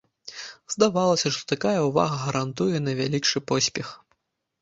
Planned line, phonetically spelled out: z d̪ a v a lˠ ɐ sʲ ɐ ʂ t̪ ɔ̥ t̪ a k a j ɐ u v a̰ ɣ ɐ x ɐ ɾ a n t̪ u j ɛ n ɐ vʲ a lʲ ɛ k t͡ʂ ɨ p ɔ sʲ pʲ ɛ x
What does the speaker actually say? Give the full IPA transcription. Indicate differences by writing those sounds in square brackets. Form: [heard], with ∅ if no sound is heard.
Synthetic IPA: z d̪ a v a lˠ ɐ sʲ ɐ ʂ t̪ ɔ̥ t̪ a k a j ɐ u v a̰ ɣ ɐ [ɣ] ɐ ɾ a n t̪ u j ɛ n ɐ vʲ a lʲ [i] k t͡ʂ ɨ p ɔ sʲ pʲ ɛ x